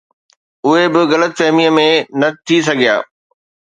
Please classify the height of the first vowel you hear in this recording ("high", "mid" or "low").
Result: high